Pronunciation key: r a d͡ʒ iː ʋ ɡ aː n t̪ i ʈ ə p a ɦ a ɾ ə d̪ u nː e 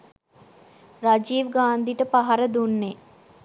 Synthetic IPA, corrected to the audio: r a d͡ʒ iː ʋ ɡ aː n d̪ i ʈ ə p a ɦ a ɾ ə d̪ u nː e